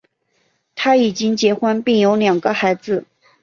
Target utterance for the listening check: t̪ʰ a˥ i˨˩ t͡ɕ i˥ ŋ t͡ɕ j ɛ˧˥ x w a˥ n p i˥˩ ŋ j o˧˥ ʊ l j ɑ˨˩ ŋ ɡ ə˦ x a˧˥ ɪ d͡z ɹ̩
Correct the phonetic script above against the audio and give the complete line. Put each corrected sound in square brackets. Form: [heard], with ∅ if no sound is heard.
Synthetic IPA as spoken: t̪ʰ a˥ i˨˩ t͡ɕ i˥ ŋ t͡ɕ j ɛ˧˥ x w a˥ n p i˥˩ ŋ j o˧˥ ʊ l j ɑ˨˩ ŋ ɡ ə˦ x a˧˥ ɪ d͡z ɹ̩